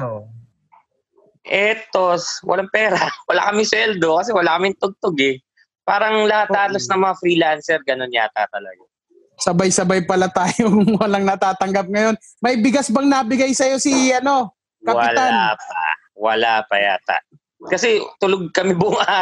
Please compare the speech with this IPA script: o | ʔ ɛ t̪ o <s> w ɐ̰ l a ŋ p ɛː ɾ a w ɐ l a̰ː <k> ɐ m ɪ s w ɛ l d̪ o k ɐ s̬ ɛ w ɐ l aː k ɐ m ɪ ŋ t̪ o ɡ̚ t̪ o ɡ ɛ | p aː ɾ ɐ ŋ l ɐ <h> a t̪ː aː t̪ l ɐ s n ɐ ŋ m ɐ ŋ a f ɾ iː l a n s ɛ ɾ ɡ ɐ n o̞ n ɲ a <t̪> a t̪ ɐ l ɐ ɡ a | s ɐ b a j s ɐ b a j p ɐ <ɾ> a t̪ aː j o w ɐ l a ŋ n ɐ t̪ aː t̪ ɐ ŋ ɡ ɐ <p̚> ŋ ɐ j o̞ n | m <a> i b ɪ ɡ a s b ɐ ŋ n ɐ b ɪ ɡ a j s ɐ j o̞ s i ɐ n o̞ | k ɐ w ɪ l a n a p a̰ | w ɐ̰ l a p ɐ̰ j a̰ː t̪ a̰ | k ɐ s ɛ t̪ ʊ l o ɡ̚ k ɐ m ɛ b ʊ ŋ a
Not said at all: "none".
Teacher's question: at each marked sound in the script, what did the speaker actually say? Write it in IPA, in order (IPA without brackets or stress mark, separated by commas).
s, k, h, t̪, l, p̚, ɐ